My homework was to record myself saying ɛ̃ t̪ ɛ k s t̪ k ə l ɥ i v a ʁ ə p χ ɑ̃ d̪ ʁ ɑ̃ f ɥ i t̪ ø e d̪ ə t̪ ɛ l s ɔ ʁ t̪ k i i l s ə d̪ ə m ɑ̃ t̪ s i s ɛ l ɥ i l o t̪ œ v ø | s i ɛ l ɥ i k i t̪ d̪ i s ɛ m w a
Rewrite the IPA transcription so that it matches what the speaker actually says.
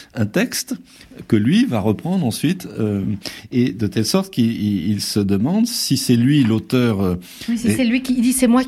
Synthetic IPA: ɛ̃ t̪ ɛ k s t̪ k ə l ɥ i v a ʁ ə p χ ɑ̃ d̪ ʁ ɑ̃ s ɥ i t̪ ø e d̪ ə t̪ ɛ l s ɔ ʁ t̪ k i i l s ə d̪ ə m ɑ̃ d̪ s i s ɛ l ɥ i l o t̪ œ ʁ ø | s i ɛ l ɥ i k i d̪ i s ɛ m w a